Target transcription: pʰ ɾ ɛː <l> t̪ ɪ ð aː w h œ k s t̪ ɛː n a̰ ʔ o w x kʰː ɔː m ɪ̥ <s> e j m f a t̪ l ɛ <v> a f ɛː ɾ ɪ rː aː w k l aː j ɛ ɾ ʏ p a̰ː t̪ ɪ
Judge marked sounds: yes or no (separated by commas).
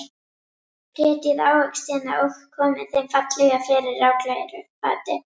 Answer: no, no, no